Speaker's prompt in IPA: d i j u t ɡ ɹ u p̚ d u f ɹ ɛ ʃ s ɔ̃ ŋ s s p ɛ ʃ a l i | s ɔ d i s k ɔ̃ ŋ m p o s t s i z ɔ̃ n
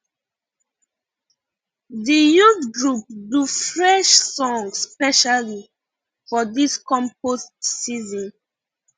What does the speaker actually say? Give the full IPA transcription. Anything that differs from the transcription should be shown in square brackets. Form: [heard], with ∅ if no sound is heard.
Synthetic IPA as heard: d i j u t ɡ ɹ u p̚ d u f ɹ ɛ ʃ s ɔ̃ ŋ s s p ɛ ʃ a l i | [f] ɔ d i s k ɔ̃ [∅] m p o s t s i z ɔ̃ n